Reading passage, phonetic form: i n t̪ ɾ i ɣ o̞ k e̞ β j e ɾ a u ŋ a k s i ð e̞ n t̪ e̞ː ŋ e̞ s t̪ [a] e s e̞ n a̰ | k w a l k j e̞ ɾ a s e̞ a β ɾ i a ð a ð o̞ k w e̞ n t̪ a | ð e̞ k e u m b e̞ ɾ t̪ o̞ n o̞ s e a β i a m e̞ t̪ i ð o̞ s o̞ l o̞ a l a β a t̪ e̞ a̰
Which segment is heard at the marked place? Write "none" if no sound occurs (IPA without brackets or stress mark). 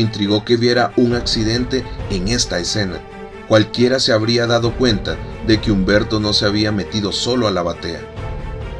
a